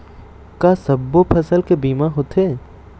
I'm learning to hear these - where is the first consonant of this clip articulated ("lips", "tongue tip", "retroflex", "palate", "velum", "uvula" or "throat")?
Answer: velum